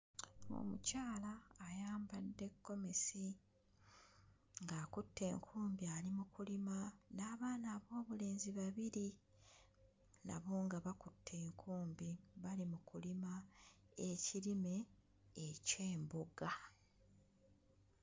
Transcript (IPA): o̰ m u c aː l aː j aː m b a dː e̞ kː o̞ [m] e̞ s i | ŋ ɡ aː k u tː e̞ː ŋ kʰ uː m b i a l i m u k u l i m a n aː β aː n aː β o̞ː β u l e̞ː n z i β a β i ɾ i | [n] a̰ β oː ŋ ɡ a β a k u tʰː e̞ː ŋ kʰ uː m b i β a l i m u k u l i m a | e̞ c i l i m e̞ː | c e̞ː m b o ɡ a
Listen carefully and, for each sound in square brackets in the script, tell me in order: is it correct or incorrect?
correct, correct

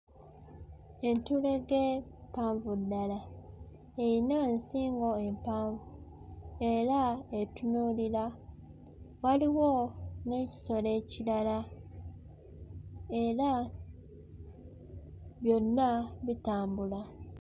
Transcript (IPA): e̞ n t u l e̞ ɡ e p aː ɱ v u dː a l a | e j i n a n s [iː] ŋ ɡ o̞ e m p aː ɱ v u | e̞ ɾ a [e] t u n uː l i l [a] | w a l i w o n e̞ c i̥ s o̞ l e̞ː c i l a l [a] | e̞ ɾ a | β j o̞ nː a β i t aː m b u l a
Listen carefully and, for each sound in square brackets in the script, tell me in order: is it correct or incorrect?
correct, correct, correct, correct

